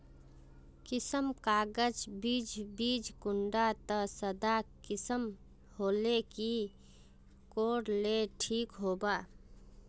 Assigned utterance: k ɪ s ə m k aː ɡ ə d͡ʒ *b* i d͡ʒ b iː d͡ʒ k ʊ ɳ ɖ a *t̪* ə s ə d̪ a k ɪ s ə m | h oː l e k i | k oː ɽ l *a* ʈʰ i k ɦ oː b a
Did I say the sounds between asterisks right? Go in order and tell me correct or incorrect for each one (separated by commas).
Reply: correct, correct, incorrect